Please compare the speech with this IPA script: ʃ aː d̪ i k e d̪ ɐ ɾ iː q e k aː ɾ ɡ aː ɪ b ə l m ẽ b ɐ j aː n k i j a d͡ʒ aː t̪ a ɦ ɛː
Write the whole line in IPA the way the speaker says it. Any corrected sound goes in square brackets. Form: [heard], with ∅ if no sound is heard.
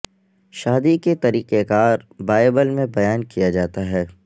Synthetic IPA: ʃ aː d̪ i k e [t̪] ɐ ɾ iː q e k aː ɾ [b] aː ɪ b ə l m ẽ b ɐ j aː n k i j a d͡ʒ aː t̪ a ɦ ɛː